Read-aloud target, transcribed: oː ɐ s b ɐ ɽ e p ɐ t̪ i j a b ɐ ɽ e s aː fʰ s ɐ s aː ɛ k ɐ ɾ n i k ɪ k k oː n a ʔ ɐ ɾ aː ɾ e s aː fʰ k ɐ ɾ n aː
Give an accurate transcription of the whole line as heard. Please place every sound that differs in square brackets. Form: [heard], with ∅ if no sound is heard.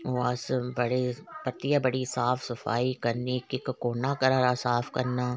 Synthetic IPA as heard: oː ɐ s b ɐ ɽ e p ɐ t̪ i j a b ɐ ɽ [i] s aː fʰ s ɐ [f] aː [i] k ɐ ɾ n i k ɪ k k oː n a [k] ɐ ɾ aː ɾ [a] s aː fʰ k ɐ ɾ n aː